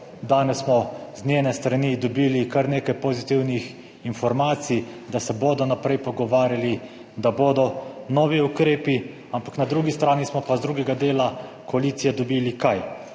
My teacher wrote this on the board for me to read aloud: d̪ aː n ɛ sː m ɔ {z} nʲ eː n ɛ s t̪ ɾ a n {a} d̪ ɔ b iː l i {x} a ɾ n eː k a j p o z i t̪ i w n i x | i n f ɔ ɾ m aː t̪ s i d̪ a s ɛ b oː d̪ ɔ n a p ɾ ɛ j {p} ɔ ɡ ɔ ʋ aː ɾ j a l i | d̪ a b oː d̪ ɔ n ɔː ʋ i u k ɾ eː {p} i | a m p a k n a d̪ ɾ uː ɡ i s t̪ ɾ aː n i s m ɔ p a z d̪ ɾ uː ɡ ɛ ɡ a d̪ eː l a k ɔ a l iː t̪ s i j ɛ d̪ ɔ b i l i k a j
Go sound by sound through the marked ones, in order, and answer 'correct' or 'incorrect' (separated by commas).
correct, incorrect, incorrect, correct, correct